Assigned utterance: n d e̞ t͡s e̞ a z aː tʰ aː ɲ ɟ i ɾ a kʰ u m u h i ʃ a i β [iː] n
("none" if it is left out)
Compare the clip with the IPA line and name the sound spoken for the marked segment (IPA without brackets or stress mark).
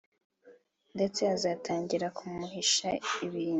iː